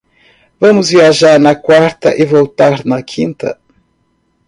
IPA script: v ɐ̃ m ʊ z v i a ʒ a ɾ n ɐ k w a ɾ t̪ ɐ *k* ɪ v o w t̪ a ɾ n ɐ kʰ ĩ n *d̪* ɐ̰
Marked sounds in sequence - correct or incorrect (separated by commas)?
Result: incorrect, incorrect